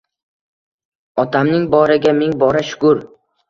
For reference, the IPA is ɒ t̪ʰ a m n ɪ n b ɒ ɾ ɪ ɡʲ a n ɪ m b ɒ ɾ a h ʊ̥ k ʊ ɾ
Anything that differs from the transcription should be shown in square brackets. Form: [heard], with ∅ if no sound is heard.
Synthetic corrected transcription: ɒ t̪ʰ a m n ɪ [ŋ] b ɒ ɾ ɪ ɡʲ a [m] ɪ [ŋ] b ɒ ɾ a [ʃ] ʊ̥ k ʊ ɾ